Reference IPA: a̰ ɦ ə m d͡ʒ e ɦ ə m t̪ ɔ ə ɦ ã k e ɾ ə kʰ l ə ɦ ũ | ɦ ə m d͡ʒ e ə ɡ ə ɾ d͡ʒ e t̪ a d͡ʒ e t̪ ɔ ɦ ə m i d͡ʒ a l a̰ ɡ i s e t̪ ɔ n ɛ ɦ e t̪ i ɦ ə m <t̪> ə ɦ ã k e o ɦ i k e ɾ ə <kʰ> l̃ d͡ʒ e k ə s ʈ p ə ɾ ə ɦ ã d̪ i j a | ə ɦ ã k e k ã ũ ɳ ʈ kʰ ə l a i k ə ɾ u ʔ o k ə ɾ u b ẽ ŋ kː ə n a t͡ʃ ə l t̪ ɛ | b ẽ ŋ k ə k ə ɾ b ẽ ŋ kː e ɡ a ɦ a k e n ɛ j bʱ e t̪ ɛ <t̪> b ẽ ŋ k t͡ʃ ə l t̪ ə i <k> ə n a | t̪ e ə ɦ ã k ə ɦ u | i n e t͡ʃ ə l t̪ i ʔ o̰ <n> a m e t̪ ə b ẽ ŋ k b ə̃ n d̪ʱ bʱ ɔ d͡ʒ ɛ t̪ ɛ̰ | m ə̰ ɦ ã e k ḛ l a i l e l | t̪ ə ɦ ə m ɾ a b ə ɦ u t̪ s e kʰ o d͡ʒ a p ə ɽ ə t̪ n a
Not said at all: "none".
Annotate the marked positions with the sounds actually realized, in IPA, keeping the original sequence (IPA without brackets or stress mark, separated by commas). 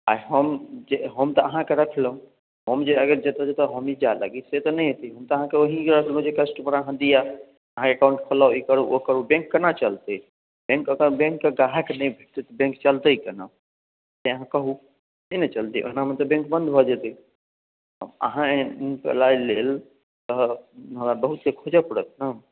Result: t̪, kʰ, t̪, k, n